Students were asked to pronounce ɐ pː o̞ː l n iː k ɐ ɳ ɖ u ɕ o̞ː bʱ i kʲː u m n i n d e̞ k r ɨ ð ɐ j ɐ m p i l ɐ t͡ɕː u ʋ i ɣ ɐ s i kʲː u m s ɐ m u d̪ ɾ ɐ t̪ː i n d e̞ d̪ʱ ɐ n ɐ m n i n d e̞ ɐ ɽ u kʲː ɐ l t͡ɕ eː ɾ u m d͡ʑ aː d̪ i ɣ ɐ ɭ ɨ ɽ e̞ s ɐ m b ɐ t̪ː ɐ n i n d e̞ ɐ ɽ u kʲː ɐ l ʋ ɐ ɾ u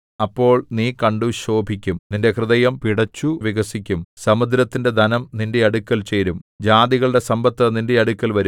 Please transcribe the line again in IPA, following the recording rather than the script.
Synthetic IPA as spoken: ɐ pː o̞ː ɭ n iː k ɐ ɳ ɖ u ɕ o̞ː bʱ i kʲː u m n i n d e̞ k r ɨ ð ɐ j ɐ m p i ɽ ɐ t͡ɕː u ʋ i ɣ ɐ s i kʲː u m s ɐ m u d̪ ɾ ɐ t̪ː i n d e̞ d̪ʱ ɐ n ɐ m n i n d e̞ ɐ ɽ u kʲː ɐ l t͡ɕ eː ɾ u m d͡ʑ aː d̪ i ɣ ɐ ɭ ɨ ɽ e̞ s ɐ m b ɐ t̪ː ɐ n i n d e̞ ɐ ɽ u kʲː ɐ l ʋ ɐ ɾ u

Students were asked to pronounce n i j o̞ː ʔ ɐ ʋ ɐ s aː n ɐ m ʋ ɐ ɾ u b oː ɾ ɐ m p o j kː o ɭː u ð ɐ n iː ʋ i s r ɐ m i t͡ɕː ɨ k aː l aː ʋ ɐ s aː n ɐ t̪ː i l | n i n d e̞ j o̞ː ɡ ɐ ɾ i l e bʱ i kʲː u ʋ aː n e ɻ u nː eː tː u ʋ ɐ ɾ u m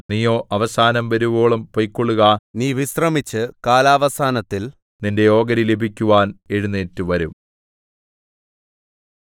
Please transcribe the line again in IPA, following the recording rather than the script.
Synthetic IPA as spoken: n i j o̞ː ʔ ɐ ʋ ɐ s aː n ɐ m ʋ ɐ ɾ u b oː ɭ ɐ m p o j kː o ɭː u ɣ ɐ n iː ʋ i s r ɐ m i t͡ɕː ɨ k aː l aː ʋ ɐ s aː n ɐ t̪ː i l | n i n d e̞ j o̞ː ɡ ɐ ɾ i l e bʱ i kʲː u ʋ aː n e ɻ u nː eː tː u ʋ ɐ ɾ u m

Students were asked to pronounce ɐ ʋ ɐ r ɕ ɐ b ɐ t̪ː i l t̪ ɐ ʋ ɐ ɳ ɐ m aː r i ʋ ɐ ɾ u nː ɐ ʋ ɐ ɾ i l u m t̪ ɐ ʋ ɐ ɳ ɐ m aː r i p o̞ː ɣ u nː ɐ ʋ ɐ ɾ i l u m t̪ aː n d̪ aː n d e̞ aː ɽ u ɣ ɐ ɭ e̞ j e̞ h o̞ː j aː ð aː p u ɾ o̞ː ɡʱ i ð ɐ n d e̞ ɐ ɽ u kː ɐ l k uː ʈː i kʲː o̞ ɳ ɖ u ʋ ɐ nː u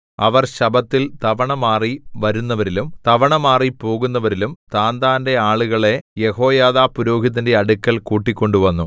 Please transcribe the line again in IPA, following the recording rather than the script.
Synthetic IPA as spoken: ɐ ʋ ɐ r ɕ ɐ b ɐ t̪ː i l t̪ ɐ ʋ ɐ ɳ ɐ m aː r i ʋ ɐ ɾ u nː ɐ ʋ ɐ ɾ i l u m t̪ ɐ ʋ ɐ ɳ ɐ m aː r i p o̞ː ɣ u nː ɐ ʋ ɐ ɾ i l u m t̪ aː n d̪ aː n d e̞ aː ɭ u ɣ ɐ ɭ e̞ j e̞ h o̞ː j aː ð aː p u ɾ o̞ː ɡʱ i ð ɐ n d e̞ ɐ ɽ u kː ɐ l k uː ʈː i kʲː o̞ ɳ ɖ u ʋ ɐ nː u

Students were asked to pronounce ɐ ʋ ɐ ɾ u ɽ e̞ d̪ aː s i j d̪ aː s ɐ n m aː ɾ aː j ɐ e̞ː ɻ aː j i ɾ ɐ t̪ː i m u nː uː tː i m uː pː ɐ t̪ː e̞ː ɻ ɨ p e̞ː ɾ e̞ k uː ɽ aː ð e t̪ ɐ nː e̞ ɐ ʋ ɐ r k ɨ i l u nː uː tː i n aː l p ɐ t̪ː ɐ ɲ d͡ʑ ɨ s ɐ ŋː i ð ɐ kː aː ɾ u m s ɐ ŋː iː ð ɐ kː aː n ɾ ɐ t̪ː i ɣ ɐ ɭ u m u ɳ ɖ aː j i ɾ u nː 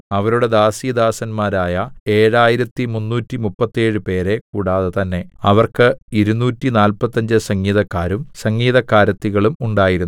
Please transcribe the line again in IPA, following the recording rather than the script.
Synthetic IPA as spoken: ɐ ʋ ɐ ɾ u ɽ e̞ d̪ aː s i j d̪ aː s ɐ n m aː ɾ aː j ɐ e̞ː ɻ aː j i ɾ ɐ t̪ː i m u nː uː tː i m u pː ɐ t̪ː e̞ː ɻ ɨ p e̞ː ɾ e̞ k uː ɽ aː ð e t̪ ɐ nː e̞ ɐ ʋ ɐ r k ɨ i ɾ u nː uː tː i n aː l p ɐ t̪ː ɐ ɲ d͡ʑ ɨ s ɐ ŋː iː ð ɐ kː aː ɾ u m s ɐ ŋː iː ð ɐ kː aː ɾ ɐ t̪ː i ɣ ɐ ɭ u m u ɳ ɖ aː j i ɾ u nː

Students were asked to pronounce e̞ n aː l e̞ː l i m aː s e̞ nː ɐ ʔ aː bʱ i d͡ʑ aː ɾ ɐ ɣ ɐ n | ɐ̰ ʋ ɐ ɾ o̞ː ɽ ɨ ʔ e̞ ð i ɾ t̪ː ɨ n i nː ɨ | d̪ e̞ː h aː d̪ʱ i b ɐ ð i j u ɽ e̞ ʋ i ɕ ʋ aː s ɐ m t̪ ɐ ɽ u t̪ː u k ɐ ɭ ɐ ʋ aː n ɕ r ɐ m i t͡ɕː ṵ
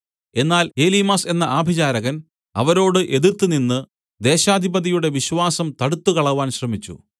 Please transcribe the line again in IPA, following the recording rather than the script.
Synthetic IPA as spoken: e̞ nː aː l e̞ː l i m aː s e̞ nː ɐ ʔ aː bʱ i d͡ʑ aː ɾ ɐ ɣ ɐ n | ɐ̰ ʋ ɐ ɾ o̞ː ɽ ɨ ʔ e̞ ð i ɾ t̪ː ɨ n i nː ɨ | d̪ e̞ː ɕ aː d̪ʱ i b ɐ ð i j u ɽ e̞ ʋ i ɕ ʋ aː s ɐ m t̪ ɐ ɽ u t̪ː u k ɐ ɭ ɐ ʋ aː n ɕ r ɐ m i t͡ɕː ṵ

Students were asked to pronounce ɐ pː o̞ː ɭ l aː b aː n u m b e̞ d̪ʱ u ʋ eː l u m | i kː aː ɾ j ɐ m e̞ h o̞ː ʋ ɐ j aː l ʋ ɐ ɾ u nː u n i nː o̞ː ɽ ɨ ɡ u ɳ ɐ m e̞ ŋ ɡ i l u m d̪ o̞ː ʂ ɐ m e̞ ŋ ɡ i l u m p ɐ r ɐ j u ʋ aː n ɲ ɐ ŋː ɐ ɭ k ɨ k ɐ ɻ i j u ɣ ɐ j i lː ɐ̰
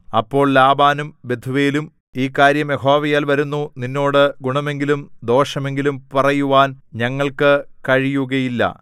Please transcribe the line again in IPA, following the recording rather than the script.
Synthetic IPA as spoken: ɐ pː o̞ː ɭ l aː b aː n u m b e̞ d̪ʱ u ʋ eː l u m | iː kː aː ɾ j ɐ m e̞ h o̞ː ʋ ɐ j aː l ʋ ɐ ɾ u nː u n i nː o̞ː ɽ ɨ ɡ u ɳ ɐ m e̞ ŋ ɡ i l u m d̪ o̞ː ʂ ɐ m e̞ ŋ ɡ i l u m p ɐ r ɐ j u ʋ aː n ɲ ɐ ŋː ɐ ɭ k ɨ k ɐ ɻ i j u ɣ ɐ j i lː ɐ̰

